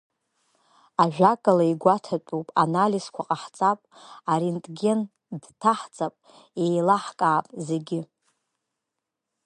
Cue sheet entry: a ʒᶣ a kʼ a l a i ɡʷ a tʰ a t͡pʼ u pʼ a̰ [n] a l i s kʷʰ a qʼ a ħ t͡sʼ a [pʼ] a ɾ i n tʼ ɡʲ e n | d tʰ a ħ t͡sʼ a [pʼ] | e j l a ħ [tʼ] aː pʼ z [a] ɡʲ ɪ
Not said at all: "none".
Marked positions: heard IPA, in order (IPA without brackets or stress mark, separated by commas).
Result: n, pʼ, pʼ, kʼ, e